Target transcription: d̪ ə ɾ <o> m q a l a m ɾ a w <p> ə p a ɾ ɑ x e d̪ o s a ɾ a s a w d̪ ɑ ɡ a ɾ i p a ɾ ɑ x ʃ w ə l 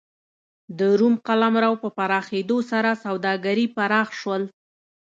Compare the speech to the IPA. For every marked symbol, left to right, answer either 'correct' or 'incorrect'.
incorrect: u, correct

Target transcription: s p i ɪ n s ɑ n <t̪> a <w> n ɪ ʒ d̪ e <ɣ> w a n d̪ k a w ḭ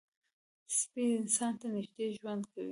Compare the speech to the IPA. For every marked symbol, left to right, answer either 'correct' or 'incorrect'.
correct, incorrect: none, incorrect: ʒ

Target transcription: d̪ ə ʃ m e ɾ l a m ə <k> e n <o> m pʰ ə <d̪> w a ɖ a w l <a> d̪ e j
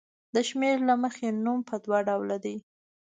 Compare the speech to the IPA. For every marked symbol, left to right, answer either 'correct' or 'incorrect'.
incorrect: x, incorrect: u, correct, correct

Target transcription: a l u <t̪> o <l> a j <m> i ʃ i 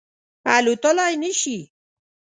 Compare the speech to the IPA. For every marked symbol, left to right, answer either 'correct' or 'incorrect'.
correct, correct, incorrect: n

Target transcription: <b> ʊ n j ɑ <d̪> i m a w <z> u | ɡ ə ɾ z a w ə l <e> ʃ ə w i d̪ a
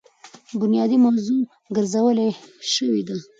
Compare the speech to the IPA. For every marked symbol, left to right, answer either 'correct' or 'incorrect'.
correct, correct, correct, correct

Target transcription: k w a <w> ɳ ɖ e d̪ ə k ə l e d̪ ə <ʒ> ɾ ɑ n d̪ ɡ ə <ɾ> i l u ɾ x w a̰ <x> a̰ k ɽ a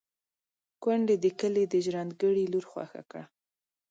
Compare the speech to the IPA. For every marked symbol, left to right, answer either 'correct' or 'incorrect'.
incorrect: none, correct, incorrect: ɽ, correct

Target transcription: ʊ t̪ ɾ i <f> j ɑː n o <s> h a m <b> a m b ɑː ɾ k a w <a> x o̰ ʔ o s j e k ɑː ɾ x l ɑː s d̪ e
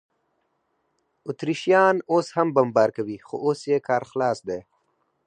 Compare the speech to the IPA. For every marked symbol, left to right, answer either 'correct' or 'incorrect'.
incorrect: ʃ, correct, correct, incorrect: i

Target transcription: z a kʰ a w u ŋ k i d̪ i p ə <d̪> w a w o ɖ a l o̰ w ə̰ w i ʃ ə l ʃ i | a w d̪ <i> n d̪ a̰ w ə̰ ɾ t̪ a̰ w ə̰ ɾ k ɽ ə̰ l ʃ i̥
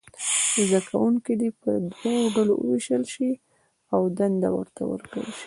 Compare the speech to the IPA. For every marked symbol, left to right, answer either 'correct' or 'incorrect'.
correct, incorrect: a

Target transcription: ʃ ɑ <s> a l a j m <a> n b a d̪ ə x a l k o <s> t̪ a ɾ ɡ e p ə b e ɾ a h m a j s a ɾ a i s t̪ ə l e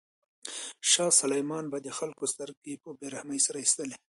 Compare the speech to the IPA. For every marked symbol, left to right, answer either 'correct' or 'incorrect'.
correct, incorrect: ɑ, correct

